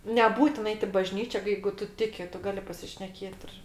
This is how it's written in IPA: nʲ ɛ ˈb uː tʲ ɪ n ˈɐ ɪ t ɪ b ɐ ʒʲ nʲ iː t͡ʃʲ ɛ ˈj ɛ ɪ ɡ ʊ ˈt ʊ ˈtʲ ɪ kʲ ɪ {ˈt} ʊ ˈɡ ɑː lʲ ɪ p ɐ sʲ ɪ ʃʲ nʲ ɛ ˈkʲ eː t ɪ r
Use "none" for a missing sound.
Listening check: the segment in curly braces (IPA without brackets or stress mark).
t